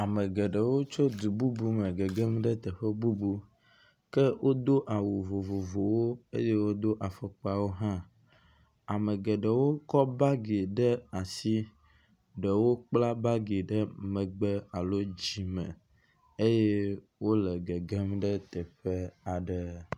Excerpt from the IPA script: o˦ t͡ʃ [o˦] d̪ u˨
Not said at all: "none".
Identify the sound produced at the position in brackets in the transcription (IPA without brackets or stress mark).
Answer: o˦